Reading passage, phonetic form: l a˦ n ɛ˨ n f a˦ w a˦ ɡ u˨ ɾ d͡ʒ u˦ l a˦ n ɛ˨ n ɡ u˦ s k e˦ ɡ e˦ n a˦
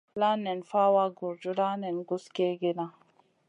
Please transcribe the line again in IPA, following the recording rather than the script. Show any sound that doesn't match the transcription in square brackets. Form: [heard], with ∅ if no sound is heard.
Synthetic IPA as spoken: l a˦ n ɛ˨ n f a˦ w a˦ ɡ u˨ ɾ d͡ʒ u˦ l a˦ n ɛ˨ n ɡ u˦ s k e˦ ɡ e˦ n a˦